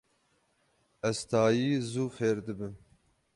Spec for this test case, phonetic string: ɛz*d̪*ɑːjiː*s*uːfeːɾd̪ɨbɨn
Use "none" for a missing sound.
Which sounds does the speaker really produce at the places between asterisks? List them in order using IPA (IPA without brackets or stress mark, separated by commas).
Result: t̪, z